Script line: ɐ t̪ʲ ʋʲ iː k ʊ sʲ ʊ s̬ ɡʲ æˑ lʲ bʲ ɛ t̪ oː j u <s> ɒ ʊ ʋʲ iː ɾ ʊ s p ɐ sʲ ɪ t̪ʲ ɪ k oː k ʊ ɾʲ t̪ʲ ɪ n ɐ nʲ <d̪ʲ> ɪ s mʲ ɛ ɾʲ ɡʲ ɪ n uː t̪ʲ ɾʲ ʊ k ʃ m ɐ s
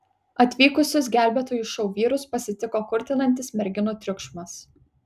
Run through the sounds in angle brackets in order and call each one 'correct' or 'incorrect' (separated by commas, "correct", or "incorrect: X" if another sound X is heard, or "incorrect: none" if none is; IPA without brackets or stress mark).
incorrect: ʃ, incorrect: t̪ʲ